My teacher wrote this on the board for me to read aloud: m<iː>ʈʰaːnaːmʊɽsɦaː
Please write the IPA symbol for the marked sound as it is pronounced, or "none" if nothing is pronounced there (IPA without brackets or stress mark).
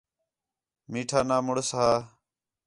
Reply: iː